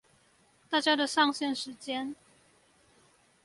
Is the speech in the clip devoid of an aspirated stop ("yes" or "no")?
yes